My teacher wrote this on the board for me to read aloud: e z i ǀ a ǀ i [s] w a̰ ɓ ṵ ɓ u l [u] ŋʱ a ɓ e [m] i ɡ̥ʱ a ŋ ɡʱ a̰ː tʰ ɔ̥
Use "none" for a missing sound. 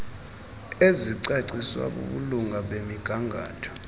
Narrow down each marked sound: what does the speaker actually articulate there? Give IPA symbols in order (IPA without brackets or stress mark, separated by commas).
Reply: s, u, m